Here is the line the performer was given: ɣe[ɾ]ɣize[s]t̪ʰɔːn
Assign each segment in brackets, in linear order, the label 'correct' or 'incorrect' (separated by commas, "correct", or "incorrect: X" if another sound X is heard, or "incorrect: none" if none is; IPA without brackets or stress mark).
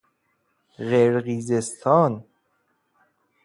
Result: correct, correct